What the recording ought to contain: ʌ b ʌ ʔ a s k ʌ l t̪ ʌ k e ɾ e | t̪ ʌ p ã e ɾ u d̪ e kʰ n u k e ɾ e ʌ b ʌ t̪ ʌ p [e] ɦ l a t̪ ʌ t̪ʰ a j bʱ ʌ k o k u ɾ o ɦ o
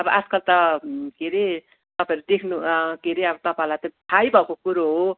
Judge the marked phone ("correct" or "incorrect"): incorrect